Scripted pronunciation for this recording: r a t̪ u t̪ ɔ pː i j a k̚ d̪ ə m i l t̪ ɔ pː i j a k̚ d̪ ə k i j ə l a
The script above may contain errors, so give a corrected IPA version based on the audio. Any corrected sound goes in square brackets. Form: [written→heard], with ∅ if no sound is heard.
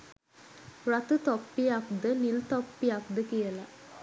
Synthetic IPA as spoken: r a t̪ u t̪ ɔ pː i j a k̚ d̪ ə [m→n] i l t̪ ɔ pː i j a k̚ d̪ ə k i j ə l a